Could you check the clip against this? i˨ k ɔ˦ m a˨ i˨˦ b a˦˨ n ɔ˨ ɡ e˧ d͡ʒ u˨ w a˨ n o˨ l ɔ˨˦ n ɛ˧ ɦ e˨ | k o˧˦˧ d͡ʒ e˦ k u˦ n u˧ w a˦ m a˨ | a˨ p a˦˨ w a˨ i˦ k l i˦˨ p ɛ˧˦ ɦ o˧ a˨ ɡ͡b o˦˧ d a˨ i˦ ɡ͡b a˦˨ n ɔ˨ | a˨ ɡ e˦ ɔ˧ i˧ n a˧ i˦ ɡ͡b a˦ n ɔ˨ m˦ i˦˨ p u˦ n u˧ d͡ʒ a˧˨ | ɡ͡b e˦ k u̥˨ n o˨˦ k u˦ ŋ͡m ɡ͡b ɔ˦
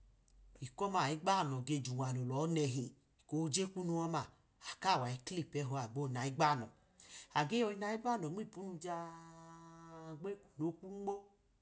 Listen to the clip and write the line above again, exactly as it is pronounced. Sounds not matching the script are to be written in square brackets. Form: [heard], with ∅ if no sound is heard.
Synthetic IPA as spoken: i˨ k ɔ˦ m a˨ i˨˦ [ɡ͡b] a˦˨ n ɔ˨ ɡ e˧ d͡ʒ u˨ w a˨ n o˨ l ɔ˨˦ n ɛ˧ ɦ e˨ | k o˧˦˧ d͡ʒ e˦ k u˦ n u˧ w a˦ m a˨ | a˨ [k] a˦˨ w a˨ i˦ k l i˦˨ p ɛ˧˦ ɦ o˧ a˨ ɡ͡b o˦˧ [n] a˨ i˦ ɡ͡b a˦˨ n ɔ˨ | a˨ ɡ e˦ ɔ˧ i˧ n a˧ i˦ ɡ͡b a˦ n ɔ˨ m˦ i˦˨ p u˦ n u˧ d͡ʒ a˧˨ | ɡ͡b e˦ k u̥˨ n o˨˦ k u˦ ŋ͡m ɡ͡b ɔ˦